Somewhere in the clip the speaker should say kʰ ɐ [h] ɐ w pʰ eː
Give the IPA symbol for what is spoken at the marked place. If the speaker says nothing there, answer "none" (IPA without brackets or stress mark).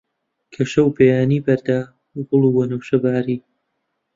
ʃ